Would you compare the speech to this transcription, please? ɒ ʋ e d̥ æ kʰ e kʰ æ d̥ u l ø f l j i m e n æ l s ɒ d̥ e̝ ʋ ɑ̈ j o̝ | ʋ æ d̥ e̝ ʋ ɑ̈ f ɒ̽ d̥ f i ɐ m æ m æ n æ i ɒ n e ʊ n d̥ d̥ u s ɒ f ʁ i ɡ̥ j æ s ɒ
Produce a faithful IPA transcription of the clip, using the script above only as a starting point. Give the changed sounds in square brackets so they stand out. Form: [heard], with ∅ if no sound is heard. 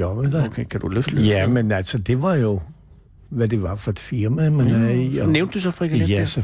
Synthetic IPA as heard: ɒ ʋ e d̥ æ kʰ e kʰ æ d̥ u l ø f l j [æ] m e n æ l s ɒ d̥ e̝ ʋ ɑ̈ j o̝ | ʋ æ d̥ e̝ ʋ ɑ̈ f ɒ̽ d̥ f i ɐ m æ m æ n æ i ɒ n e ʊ n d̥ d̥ u s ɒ f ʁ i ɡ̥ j æ s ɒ